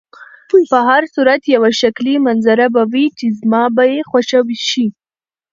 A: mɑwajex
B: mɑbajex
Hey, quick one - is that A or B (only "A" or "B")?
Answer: B